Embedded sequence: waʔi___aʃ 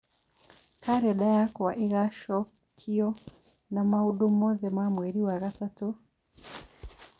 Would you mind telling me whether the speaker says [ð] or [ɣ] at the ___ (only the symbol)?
ɣ